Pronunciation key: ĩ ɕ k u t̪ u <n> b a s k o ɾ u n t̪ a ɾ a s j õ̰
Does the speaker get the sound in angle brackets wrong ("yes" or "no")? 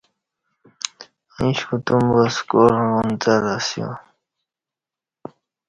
yes